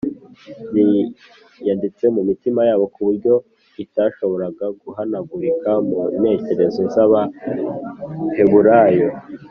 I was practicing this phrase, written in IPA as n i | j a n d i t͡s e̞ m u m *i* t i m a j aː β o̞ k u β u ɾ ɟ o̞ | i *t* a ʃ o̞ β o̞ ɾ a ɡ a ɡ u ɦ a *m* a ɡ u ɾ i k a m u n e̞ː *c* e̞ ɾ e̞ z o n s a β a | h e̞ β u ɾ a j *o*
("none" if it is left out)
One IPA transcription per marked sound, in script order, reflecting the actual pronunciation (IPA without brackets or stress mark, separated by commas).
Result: i, t, n, c, o